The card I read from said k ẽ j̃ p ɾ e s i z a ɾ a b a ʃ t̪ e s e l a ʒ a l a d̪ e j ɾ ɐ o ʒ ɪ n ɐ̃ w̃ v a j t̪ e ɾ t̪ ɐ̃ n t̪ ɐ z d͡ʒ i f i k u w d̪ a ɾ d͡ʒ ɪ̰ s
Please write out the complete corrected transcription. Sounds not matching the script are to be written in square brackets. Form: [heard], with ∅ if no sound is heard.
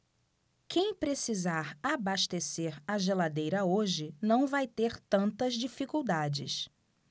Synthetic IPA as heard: k ẽ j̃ p ɾ e s i z a ɾ a b a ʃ t̪ e s e [ɾ] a ʒ [e] l a d̪ e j ɾ ɐ o ʒ ɪ n ɐ̃ w̃ v a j t̪ e ɾ t̪ ɐ̃ n t̪ ɐ z d͡ʒ i f i k u w d̪ a [∅] d͡ʒ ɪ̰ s